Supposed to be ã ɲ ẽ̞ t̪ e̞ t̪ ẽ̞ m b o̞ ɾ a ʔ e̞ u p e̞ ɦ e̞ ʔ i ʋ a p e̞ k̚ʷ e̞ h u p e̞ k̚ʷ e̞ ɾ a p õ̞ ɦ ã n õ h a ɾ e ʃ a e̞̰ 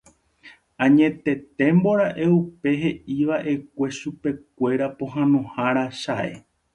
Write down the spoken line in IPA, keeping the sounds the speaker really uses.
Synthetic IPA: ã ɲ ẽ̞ t̪ e̞ t̪ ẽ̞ m b o̞ ɾ a ʔ e̞ u p e̞ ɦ e̞ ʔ i ʋ a ʔ e̞ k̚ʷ e̞ ʃ u p e̞ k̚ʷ e̞ ɾ a p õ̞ ɦ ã n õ h a ɾ a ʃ a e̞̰